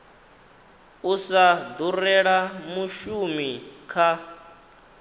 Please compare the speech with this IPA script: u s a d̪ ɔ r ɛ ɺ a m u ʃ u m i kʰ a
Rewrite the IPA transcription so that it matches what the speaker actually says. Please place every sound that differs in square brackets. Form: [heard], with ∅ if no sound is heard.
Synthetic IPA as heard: u s a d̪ [u] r ɛ ɺ a m u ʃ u m i kʰ a